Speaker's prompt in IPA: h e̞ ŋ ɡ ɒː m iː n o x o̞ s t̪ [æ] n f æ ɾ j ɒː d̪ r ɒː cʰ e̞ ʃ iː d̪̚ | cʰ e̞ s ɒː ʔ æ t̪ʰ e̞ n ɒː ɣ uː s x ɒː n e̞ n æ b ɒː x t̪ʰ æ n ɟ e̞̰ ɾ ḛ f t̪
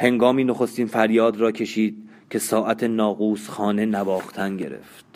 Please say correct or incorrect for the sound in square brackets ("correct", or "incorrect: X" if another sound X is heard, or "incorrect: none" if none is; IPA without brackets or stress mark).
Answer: incorrect: i